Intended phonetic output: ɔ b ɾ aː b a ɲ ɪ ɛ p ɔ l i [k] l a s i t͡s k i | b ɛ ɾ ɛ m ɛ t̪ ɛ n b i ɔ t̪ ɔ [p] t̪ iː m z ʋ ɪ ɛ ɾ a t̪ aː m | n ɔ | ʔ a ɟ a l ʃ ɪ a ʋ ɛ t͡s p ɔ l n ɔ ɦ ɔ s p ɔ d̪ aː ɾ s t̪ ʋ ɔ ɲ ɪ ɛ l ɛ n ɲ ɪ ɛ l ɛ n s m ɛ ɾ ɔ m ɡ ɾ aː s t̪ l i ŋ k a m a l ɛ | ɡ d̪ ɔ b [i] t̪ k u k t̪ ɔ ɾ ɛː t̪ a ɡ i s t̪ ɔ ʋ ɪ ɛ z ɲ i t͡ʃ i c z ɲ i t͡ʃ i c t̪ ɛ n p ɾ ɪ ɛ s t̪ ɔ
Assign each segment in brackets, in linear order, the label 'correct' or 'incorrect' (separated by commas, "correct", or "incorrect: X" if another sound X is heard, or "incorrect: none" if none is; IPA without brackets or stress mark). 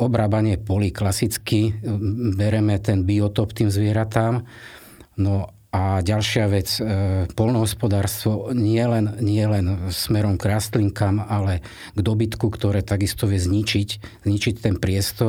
correct, correct, correct